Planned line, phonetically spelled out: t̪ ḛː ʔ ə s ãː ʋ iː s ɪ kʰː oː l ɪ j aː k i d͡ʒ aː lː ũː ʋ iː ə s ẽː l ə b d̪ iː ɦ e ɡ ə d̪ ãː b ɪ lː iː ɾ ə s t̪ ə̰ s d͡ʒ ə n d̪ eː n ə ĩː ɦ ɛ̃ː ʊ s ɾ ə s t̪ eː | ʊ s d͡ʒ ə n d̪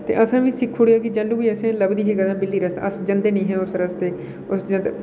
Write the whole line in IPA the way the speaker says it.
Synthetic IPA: t̪ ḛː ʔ ə s ãː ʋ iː s ɪ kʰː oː ɽ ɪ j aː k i d͡ʒ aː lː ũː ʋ iː ə s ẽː l ə b d̪ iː ɦ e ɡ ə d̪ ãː b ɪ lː iː ɾ ə s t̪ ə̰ s d͡ʒ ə n d̪ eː n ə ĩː ɦ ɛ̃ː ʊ s ɾ ə s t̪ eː | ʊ s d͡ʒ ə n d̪

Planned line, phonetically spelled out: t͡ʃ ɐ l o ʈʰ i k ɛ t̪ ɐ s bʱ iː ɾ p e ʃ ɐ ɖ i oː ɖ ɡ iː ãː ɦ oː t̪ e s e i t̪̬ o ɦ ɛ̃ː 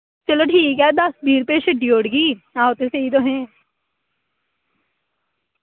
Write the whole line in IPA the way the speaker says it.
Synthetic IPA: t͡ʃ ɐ l o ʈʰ iː k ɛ d̪ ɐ s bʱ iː ɾ p e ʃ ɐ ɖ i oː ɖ ɡ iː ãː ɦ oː t̪ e s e i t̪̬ o ɦ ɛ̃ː

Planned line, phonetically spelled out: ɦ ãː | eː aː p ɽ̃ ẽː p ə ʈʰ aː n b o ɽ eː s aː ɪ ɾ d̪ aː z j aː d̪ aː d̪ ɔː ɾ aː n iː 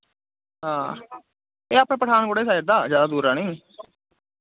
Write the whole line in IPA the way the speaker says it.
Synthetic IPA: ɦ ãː | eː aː p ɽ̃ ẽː p ə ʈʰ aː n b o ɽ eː s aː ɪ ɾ d̪ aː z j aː d̪ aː d̪ uː ɾ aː n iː

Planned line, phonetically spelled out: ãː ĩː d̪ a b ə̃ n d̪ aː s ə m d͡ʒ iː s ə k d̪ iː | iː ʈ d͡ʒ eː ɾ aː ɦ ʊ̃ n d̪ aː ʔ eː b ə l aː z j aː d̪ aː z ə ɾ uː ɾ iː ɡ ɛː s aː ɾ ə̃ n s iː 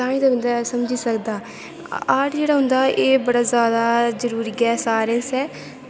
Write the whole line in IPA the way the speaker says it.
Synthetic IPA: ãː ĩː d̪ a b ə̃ n d̪ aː s ə m d͡ʒ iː s ə k d̪ aː | aː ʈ d͡ʒ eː ɽ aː ɦ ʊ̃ n d̪ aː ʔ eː b ə ɽ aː z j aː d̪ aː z ə ɾ uː ɾ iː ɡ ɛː s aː ɾ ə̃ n s ɛː

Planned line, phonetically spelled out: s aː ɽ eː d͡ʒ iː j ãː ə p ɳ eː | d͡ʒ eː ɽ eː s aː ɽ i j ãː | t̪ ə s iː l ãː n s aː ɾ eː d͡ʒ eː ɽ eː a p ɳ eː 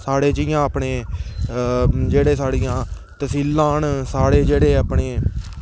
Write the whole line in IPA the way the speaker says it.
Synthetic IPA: s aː ɽ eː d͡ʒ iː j ãː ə p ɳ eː | d͡ʒ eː ɽ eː s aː ɽ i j ãː | t̪ ə s iː l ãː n s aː ɽ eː d͡ʒ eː ɽ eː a p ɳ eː

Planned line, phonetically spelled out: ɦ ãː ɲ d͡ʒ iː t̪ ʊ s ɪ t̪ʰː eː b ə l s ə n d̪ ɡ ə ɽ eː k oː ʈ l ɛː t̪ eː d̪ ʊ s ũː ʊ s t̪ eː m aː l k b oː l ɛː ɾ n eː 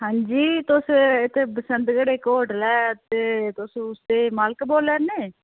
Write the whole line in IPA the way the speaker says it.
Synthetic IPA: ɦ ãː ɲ d͡ʒ iː t̪ ʊ s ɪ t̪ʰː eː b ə s ə n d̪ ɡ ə ɽ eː k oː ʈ l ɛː t̪ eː t̪ ʊ s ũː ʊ s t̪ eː m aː l k b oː l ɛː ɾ n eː

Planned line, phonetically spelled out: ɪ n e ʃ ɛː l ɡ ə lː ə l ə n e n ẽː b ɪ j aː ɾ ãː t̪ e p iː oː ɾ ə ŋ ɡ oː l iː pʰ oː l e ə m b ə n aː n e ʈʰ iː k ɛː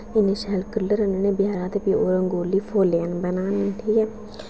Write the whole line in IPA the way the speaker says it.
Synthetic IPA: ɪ n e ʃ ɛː l k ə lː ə ɾ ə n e n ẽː b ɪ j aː ɾ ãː t̪ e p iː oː ɾ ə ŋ ɡ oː l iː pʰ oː l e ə n b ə n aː n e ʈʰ iː k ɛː

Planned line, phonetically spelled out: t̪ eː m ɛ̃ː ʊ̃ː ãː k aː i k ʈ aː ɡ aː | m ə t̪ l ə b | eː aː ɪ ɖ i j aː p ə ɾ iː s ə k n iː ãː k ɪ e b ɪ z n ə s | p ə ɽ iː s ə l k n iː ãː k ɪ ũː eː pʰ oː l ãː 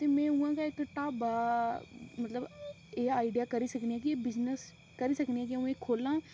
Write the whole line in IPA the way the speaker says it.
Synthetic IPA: t̪ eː m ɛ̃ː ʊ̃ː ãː k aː ɪ k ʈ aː b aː | m ə t̪ l ə b | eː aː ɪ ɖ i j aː k ə ɾ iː s ə k n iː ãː k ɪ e b ɪ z n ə s | k ə ɾ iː s ə k n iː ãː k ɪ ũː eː kʰ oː l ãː

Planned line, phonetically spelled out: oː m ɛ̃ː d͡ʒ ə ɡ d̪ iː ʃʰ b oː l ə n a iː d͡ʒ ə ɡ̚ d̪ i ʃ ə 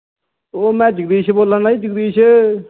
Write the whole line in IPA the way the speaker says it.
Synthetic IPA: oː m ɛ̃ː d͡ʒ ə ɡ d̪ iː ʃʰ b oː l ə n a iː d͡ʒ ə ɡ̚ d̪ iː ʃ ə

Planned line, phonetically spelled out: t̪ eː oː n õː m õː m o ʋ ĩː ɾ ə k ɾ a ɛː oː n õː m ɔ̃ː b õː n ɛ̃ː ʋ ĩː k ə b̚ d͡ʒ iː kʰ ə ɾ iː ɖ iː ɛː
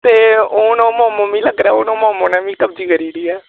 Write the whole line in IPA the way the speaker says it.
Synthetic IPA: t̪ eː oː n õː m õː m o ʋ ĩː l ə ɡ ɾ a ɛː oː n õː m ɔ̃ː m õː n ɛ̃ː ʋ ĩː k ə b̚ d͡ʒ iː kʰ ə ɾ iː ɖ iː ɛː

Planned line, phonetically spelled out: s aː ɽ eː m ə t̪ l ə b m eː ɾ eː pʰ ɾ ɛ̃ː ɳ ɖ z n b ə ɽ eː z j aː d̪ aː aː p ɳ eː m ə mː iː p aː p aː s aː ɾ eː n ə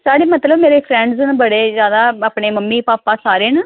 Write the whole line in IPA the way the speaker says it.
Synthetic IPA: s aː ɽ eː m ə t̪ l ə b m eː ɾ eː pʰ ɾ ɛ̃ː ɳ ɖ z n b ə ɽ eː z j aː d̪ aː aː p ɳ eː m ə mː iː p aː p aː s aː ɾ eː n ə

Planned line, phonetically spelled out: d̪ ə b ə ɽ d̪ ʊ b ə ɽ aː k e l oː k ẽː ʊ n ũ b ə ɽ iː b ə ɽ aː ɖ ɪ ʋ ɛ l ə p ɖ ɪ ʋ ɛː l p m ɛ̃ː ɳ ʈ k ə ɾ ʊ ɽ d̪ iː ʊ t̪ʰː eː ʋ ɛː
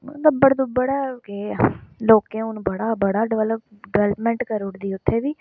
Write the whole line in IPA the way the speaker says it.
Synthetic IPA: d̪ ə b ə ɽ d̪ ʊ b ə ɽ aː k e l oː k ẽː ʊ n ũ b ə ɽ aː b ə ɽ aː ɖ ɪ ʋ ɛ l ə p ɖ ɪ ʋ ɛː l p m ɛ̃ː ɳ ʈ k ə ɾ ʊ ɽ d̪ iː ʊ t̪ʰː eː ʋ iː

